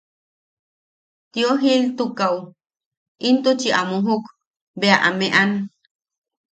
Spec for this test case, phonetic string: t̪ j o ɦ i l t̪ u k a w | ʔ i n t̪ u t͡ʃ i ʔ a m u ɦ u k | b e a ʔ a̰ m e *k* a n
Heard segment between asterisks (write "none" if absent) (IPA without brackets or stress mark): ʔ